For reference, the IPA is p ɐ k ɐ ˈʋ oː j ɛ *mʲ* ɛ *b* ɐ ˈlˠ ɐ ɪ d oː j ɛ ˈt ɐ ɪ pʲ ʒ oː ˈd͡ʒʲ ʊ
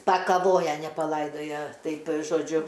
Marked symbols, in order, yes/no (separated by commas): no, no